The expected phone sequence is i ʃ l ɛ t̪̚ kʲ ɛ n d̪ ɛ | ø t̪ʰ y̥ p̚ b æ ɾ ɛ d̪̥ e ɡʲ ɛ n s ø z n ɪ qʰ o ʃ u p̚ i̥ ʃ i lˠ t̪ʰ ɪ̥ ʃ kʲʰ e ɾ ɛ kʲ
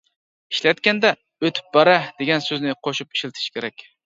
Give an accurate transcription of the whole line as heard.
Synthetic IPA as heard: i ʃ l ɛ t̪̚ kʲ ɛ n d̪ ɛ | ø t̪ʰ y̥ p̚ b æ ɾ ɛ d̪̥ e ɡʲ ɛ n s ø z n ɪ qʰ o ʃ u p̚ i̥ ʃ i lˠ t̪ʰ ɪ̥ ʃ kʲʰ e ɾ ɛ kʲ

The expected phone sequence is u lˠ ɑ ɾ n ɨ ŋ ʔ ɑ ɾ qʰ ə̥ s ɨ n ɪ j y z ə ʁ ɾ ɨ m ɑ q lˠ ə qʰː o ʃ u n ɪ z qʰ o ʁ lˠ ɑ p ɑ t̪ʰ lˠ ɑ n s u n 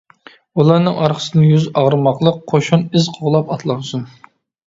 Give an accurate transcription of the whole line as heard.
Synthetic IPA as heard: u lˠ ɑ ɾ n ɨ ŋ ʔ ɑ ɾ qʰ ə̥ s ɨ n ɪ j y z ɑ ʁ ɾ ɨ m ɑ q lˠ ə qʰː o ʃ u n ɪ z qʰ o ʁ lˠ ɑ p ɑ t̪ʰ lˠ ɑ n s u n

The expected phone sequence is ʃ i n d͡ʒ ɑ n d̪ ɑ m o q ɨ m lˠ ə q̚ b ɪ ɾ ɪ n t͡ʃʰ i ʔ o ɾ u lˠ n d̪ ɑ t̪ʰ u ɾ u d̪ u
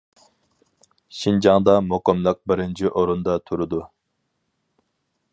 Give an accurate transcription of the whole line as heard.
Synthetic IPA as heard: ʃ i n d͡ʒ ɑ ŋ d̪ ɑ m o q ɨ m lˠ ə q̚ b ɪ ɾ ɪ n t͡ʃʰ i ʔ o ɾ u n d̪ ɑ t̪ʰ u ɾ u d̪ u

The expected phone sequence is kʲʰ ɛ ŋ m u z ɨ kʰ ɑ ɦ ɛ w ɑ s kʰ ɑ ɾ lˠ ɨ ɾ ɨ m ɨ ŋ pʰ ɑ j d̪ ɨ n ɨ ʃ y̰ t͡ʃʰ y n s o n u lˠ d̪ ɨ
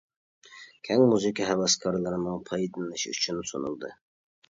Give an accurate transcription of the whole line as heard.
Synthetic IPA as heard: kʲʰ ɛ ŋ m u z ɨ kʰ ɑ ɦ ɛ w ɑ s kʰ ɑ ɾ lˠ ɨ ɾ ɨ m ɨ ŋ pʰ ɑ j d̪ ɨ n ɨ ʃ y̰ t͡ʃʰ y n s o n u lˠ d̪ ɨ

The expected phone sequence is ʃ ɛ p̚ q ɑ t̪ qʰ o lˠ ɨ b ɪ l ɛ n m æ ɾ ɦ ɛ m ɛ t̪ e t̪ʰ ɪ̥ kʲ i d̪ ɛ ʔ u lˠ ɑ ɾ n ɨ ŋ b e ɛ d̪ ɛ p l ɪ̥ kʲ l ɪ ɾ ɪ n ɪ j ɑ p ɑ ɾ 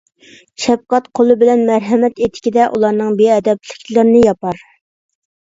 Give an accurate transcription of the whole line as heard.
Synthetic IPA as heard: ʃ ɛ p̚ q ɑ t̪ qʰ o lˠ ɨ b ɪ l ɛ n m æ ɾ ɦ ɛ m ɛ t̪ e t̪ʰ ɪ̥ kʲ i d̪ ɛ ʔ u lˠ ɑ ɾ n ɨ ŋ b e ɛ d̪ ɛ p l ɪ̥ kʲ l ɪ ɾ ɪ n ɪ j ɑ p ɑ ɾ

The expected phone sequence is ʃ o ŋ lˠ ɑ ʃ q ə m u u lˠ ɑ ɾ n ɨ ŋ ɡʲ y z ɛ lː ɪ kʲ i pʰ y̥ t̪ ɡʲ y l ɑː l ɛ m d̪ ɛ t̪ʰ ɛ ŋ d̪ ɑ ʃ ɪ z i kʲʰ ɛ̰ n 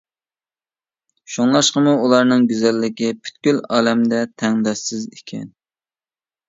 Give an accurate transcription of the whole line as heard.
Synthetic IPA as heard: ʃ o ŋ lˠ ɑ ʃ q ə m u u lˠ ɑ ɾ n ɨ ŋ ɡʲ y z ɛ lː ɪ kʲ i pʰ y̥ t̪ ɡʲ y l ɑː l ɛ m d̪ ɛ t̪ʰ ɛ ŋ d̪ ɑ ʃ ɪ z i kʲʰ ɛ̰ n

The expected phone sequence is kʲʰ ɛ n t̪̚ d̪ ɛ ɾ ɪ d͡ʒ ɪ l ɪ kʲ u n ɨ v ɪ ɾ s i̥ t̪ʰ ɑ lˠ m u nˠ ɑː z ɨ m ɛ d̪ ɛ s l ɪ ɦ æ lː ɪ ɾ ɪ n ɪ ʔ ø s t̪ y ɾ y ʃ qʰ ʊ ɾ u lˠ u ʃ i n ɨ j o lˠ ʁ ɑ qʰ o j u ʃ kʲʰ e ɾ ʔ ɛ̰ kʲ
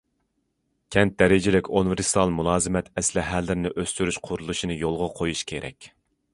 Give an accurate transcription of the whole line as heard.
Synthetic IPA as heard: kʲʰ ɛ n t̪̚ d̪ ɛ ɾ ɪ d͡ʒ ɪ l ɪ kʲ u n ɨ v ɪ ɾ s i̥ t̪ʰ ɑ lˠ m u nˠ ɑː z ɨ m ɛ t̪ ɛ s l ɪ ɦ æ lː ɪ ɾ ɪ n ɪ ʔ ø s t̪ y ɾ y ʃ qʰ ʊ ɾ u lˠ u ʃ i n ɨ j o lˠ ʁ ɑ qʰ o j u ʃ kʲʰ e ɾ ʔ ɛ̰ kʲ

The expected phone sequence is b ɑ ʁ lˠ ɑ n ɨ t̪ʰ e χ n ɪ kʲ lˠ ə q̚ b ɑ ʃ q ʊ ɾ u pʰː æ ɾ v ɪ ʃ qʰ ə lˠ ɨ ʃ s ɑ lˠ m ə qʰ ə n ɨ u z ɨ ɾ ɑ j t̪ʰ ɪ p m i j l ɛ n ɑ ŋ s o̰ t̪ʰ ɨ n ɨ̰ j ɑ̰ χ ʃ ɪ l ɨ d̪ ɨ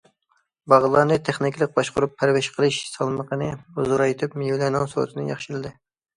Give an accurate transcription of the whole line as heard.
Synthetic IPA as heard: b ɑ ʁ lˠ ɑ n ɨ t̪ʰ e χ n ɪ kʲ lˠ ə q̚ b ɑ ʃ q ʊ ɾ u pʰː æ ɾ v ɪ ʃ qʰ ə lˠ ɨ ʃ s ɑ lˠ m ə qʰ ə n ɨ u z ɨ ɾ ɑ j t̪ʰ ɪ p m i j l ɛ n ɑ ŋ s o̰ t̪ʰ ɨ n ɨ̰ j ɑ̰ χ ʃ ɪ l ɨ d̪ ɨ

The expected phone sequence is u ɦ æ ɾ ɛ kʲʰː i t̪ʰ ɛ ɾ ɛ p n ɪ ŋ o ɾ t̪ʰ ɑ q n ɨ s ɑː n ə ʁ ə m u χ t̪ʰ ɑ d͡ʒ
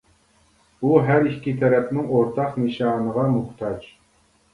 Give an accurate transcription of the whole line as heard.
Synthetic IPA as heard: u ɦ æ ɾ i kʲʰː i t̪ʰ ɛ ɾ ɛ p n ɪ ŋ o ɾ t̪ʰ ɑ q n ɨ ʃ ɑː n ə ʁ ɑ m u χ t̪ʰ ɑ d͡ʒ

